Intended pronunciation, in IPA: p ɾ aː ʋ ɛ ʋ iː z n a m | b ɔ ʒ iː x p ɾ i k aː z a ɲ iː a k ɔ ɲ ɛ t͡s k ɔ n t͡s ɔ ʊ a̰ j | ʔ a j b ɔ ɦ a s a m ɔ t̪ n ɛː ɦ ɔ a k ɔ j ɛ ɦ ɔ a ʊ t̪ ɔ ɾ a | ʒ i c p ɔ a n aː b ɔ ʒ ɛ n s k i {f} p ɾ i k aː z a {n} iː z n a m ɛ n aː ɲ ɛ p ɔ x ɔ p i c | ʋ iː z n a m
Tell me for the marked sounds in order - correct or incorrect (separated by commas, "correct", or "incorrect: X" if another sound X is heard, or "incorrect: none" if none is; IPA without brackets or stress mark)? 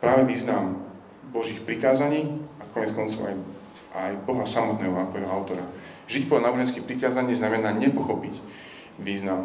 incorrect: x, incorrect: ɲ